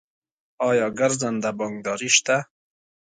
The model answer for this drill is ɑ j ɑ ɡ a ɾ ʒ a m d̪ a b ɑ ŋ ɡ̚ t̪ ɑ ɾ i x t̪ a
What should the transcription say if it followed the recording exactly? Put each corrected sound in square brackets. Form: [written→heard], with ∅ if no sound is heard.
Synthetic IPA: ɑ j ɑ ɡ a ɾ [ʒ→z] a [m→n] d̪ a b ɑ ŋ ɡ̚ [t̪→d̪] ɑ ɾ i [x→ʃ] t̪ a

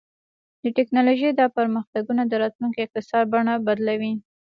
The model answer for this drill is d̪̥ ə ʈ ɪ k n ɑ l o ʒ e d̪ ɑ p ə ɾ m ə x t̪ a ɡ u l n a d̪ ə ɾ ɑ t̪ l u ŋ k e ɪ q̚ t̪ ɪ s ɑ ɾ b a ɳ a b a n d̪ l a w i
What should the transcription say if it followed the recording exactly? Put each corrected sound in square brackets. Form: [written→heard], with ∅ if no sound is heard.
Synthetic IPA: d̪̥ ə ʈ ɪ k n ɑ l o ʒ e d̪ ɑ p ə ɾ m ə x t̪ a ɡ u [l→∅] n a d̪ ə ɾ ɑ t̪ l u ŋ k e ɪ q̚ t̪ ɪ s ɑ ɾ b a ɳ a b a [n→∅] d̪ l a w i

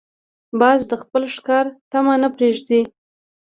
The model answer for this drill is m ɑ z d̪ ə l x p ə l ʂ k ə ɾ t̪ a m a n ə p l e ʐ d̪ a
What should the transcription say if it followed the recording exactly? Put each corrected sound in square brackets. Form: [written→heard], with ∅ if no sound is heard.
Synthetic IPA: [m→b] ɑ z d̪ ə [l→∅] x p ə l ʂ k [ə→ɑ] ɾ t̪ a m a n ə p [l→ɾ] e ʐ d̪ [a→i]

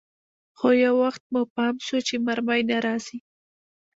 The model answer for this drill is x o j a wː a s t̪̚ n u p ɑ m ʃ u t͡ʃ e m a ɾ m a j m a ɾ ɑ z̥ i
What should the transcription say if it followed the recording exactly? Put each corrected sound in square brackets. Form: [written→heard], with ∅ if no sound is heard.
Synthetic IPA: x o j a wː a [s→x] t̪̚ [n→m] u p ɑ m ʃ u t͡ʃ e m a ɾ m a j [m→n] a ɾ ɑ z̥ i

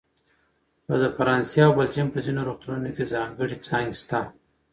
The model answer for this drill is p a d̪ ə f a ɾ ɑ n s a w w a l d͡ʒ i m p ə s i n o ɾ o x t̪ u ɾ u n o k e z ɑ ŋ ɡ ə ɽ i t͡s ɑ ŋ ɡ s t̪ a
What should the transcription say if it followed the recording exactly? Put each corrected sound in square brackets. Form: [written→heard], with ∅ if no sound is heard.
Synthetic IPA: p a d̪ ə f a ɾ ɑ n s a w [w→b] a l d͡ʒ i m p ə [s→z] i n o ɾ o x t̪ u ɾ u n o k e z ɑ ŋ ɡ ə ɽ i t͡s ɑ ŋ ɡ s t̪ a

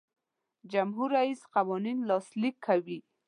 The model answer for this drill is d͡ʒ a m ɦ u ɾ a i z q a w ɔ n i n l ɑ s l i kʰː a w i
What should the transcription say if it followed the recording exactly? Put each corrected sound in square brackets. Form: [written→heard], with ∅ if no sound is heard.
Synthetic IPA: d͡ʒ a m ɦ u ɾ a i [z→s] q a w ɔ n i n l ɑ s l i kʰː a w i

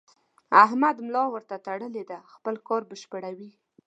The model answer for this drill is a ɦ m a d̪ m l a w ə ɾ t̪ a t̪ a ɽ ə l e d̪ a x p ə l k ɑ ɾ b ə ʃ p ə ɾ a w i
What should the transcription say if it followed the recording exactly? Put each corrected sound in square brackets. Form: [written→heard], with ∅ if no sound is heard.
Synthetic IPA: a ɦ m a d̪ m l [a→ɑ] w ə ɾ t̪ a t̪ a ɽ ə l e d̪ a x p ə l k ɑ ɾ b ə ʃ p ə [ɾ→ɽ] a w i

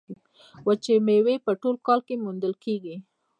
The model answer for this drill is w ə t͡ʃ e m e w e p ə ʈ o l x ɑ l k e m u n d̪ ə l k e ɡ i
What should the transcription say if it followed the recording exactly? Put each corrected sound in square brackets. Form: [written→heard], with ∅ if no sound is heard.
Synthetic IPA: w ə t͡ʃ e m e w e p ə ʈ o l [x→k] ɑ l k e m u n d̪ ə l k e ɡ i

